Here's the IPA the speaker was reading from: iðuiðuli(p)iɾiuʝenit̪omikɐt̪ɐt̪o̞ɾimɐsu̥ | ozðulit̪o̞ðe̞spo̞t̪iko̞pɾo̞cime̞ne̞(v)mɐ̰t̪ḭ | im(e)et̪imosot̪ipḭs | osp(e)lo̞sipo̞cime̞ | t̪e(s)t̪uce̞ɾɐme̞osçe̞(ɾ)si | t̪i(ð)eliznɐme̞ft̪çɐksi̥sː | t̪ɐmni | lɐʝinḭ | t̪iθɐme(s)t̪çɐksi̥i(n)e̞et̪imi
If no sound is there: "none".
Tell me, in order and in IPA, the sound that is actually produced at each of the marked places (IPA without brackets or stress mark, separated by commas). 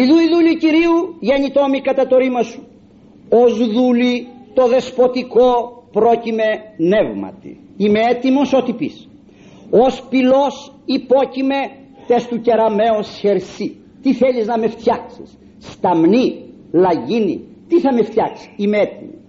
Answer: c, v, e, i, s, ɾ, θ, f, m